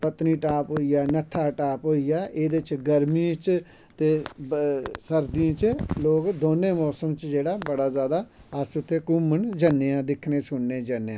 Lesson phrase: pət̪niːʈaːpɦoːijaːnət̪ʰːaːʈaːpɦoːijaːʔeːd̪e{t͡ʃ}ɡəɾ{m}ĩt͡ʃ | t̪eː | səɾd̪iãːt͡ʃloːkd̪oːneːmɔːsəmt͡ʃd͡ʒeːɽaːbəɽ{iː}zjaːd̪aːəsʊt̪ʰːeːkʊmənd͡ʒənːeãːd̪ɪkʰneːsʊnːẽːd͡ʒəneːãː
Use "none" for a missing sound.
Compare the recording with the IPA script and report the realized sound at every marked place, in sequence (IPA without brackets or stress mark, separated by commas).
t͡ʃ, m, aː